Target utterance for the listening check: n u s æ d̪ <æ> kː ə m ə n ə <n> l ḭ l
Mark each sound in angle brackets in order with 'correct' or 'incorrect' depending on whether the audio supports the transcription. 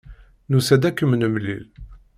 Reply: correct, incorrect: m

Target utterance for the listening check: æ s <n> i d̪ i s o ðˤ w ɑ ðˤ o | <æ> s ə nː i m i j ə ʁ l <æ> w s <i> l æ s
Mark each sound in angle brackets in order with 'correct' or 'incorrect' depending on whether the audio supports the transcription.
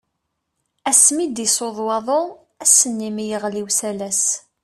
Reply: incorrect: m, correct, incorrect: i, incorrect: æ

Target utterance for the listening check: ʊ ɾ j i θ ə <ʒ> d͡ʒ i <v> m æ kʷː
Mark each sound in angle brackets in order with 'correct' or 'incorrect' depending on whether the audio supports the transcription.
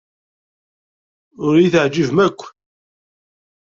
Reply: incorrect: ʕ, correct

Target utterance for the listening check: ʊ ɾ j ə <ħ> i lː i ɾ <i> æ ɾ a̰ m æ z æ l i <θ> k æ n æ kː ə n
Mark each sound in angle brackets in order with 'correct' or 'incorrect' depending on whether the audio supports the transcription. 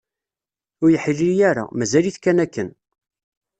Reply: correct, incorrect: j, correct

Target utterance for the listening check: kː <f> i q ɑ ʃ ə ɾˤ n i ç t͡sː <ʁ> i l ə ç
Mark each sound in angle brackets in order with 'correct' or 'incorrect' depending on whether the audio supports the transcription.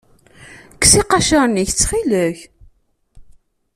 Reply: incorrect: s, incorrect: χ

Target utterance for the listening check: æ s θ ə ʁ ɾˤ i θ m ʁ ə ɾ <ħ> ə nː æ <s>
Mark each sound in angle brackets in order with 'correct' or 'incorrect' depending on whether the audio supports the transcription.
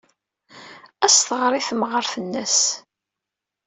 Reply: incorrect: θ, correct

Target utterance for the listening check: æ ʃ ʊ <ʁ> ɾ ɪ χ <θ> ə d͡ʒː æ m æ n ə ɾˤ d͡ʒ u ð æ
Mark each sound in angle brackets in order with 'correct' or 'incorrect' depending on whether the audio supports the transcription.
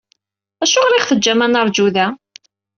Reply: correct, correct

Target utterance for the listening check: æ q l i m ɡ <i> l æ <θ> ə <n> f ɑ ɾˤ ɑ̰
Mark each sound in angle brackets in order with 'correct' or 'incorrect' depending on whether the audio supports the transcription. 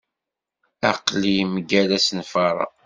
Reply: incorrect: æ, incorrect: s, correct

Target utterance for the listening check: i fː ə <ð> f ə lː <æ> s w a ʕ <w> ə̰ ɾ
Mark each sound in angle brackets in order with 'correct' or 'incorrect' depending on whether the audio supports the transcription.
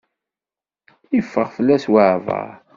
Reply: incorrect: ʁ, correct, incorrect: v

